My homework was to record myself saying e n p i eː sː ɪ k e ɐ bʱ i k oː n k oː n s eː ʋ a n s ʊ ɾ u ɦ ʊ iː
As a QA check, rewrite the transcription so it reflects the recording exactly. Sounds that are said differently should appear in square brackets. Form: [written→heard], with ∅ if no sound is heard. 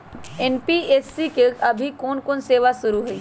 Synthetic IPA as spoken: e n p i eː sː [ɪ→i] k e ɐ bʱ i k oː n k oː n s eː ʋ a [n→∅] s ʊ ɾ u ɦ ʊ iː

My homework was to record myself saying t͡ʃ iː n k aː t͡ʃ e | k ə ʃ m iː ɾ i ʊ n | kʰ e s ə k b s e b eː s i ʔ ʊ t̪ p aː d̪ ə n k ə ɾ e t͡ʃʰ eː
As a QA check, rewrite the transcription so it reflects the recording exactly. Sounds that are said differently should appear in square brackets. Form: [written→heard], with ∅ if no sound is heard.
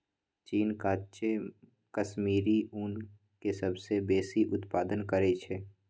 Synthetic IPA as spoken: t͡ʃ iː n k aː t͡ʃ e | k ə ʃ m iː ɾ i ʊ n | [kʰ→k] e s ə [k→∅] b s e b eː s i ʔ ʊ t̪ p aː d̪ ə n k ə ɾ e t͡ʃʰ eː

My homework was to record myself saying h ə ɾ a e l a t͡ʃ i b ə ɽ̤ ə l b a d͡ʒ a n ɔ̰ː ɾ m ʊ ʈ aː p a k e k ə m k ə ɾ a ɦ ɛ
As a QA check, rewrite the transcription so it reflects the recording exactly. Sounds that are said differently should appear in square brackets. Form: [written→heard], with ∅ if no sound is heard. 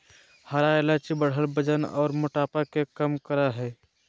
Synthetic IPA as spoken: h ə ɾ a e l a t͡ʃ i b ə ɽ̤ ə l b [a→ə] d͡ʒ [a→ə] n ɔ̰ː ɾ m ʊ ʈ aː p a k e k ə m k ə ɾ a ɦ ɛ

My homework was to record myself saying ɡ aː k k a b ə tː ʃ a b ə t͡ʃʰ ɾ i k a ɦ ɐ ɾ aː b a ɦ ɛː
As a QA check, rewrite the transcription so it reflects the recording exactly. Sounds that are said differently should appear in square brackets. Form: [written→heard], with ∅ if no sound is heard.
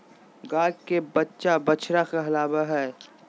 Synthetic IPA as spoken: ɡ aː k k [a→e] b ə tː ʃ a b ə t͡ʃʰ ɾ [i→a] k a ɦ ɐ [ɾ→l] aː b a ɦ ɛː

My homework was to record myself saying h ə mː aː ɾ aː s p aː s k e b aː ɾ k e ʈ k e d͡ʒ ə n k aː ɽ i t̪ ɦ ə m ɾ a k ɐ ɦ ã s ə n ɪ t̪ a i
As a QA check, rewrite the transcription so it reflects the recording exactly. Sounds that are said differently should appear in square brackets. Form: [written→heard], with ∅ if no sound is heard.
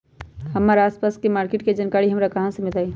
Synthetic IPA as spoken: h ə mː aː ɾ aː s p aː s k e [b→m] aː ɾ k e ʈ k e d͡ʒ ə n k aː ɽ i [t̪→∅] ɦ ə m ɾ a k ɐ ɦ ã s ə [n→m] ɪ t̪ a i

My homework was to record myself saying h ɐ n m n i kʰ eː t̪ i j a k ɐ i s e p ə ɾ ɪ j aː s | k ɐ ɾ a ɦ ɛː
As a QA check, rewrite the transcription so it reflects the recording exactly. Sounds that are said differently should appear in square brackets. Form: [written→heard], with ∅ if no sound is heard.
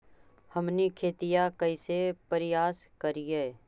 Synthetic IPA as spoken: h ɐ [n→∅] m n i kʰ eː t̪ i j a k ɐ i s e p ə ɾ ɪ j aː s | k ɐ ɾ [a→i] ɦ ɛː

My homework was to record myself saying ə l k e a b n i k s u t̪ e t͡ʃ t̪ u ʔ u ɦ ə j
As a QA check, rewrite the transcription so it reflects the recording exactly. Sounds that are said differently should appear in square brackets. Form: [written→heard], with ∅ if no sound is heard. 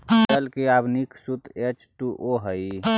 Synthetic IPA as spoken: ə l k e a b n i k s u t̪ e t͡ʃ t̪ u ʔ [u→o] ɦ ə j

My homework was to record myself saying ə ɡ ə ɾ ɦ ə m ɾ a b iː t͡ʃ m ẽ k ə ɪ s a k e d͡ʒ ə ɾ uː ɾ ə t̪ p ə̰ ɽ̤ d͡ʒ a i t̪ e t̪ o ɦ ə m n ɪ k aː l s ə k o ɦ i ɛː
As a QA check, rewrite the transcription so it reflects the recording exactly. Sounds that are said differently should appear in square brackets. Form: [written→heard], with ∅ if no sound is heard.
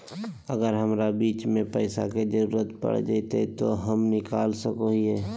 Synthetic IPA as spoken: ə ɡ ə ɾ ɦ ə m ɾ a b iː t͡ʃ m ẽ [k→p] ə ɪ s a k e d͡ʒ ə ɾ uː ɾ ə t̪ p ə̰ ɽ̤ d͡ʒ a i t̪ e t̪ o ɦ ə m n ɪ k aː l s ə k o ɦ i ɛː

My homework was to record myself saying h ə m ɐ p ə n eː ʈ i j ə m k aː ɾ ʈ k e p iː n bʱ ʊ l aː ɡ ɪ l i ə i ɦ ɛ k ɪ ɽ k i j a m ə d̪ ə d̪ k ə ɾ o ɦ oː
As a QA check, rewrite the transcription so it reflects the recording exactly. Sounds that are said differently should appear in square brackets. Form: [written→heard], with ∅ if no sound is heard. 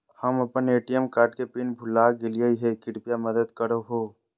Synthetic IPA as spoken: h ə m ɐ p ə n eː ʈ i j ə m k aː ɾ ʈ k e p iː n bʱ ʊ l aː ɡ ɪ l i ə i ɦ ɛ k ɪ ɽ [k→p] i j a m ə d̪ ə d̪ k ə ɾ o ɦ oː

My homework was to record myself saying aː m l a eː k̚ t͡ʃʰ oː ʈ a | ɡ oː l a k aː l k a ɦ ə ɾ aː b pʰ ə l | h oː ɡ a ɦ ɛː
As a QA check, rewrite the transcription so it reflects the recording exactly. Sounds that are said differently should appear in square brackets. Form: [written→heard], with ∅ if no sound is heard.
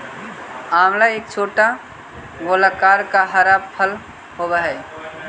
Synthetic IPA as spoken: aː m l a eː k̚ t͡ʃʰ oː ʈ a | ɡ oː l a k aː [l→ɾ] k a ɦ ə ɾ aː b pʰ ə l | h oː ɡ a ɦ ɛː

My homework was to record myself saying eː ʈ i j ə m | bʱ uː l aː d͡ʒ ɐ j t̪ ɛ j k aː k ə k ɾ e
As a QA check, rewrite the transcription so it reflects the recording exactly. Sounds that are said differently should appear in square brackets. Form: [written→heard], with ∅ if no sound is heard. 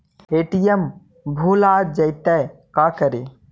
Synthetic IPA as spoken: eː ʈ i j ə m | bʱ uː l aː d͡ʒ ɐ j t̪ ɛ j k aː k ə [k→∅] ɾ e

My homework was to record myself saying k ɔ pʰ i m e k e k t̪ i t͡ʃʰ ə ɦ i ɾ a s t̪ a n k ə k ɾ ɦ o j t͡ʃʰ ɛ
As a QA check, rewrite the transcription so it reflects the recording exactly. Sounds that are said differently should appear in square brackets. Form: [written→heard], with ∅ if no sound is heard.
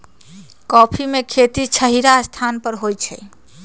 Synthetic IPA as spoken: k ɔ pʰ i m e [k→kʰ] e [k→∅] t̪ i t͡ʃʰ ə ɦ i ɾ a s [t̪→t̪ʰ] a n [k→p] ə [k→∅] ɾ ɦ o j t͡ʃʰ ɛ

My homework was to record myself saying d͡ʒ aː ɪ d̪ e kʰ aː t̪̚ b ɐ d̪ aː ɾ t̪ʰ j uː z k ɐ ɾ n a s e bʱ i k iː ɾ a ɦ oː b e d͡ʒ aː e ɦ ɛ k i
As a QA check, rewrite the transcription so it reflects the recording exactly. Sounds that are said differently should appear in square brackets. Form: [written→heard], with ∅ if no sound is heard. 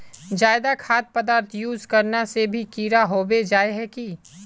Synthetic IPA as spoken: d͡ʒ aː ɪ d̪ [e→a] kʰ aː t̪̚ [b→p] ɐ d̪ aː ɾ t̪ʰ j uː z k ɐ ɾ n a s e bʱ i k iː ɾ a ɦ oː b e d͡ʒ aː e ɦ ɛ k i

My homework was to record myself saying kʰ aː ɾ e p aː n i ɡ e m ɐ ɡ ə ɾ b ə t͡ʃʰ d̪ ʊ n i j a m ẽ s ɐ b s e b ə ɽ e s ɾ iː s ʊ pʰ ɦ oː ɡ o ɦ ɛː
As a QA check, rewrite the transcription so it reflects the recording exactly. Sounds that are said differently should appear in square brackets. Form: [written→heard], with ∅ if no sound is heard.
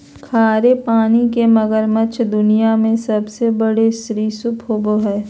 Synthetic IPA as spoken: kʰ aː ɾ e p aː n i [ɡ→k] e m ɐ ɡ ə ɾ [b→m] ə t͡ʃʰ d̪ ʊ n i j a m ẽ s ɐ b s e b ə ɽ e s ɾ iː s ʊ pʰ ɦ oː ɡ o ɦ ɛː

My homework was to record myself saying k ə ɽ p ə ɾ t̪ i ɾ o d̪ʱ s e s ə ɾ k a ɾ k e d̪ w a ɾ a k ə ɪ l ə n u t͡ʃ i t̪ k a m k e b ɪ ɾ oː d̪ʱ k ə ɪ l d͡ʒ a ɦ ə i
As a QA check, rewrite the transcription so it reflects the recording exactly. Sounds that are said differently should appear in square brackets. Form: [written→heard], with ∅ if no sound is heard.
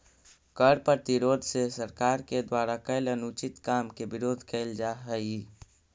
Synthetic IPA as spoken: k ə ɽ p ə ɾ t̪ i ɾ o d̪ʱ s e s ə ɾ k a ɾ k e d̪ w a ɾ a k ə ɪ l ə n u t͡ʃ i t̪ k a m k e b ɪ ɾ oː d̪ʱ k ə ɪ l d͡ʒ a ɦ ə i

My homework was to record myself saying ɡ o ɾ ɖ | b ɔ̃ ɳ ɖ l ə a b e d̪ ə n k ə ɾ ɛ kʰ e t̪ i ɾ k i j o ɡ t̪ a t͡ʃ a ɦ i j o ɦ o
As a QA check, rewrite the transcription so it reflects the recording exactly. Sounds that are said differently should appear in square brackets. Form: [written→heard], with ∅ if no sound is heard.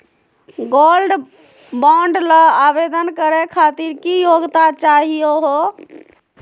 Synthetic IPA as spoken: ɡ o [ɾ→l] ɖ | b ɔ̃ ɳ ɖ l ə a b e d̪ ə n k ə ɾ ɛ kʰ [e→a] t̪ i ɾ k i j o ɡ t̪ a t͡ʃ a ɦ i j o ɦ o

